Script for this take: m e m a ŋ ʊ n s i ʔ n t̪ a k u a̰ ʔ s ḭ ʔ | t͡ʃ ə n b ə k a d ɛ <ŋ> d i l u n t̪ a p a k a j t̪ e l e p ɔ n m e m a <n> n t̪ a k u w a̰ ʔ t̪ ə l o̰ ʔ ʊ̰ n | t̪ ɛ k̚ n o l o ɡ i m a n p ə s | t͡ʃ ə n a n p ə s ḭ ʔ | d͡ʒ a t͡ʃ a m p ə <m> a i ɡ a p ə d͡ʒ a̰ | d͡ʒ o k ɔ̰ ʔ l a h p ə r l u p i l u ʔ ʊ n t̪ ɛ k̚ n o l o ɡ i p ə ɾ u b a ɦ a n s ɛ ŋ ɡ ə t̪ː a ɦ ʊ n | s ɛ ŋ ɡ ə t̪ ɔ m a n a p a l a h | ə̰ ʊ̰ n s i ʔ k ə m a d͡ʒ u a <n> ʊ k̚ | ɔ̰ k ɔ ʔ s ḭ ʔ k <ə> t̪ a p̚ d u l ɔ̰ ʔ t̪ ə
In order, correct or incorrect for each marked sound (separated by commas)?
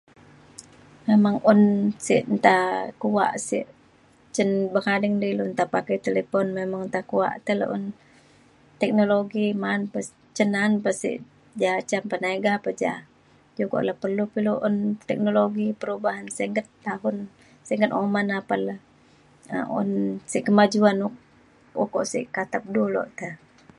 correct, incorrect, incorrect, correct, incorrect